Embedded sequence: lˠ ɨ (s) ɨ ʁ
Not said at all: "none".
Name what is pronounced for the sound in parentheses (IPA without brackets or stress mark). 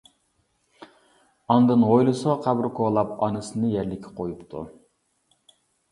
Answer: s